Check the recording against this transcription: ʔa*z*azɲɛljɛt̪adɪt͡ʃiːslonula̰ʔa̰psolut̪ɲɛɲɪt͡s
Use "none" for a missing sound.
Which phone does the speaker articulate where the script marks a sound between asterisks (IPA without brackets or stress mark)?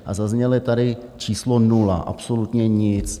z